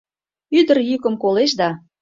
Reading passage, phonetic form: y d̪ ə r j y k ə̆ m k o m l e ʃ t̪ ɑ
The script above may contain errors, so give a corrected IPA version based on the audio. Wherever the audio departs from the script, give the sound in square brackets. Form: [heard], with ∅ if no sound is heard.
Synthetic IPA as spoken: y d̪ ə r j y k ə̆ m k o [∅] l e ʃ [d̪] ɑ